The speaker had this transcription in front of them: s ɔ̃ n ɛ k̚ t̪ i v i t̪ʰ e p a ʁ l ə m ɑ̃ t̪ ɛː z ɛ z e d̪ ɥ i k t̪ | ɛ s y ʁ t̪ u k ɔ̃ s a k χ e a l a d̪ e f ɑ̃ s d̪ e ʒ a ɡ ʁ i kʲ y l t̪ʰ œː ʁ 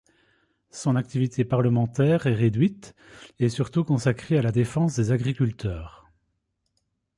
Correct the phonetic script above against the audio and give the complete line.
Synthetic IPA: s ɔ̃ n a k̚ t̪ i v i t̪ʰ e p a ʁ l ə m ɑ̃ t̪ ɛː ʁ ɛ ʁ e d̪ ɥ i t̪ | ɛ s y ʁ t̪ u k ɔ̃ s a k χ e a l a d̪ e f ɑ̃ s d̪ e z a ɡ ʁ i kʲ y l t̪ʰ œː ʁ